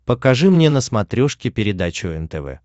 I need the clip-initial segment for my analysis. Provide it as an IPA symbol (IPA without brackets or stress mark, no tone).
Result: p